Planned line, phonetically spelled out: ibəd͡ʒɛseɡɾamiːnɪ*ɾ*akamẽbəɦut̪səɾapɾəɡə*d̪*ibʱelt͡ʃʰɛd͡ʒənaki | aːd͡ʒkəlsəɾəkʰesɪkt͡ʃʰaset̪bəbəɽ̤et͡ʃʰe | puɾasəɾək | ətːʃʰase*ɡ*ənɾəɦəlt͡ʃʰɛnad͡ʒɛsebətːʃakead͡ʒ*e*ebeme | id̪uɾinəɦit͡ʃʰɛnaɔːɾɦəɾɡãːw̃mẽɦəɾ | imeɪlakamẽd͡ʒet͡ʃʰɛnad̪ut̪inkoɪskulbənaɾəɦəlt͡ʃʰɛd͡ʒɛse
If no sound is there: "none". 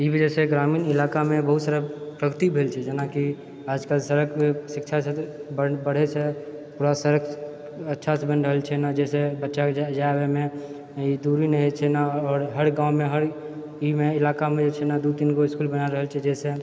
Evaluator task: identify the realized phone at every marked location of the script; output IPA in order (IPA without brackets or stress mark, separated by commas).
l, t̪, b, a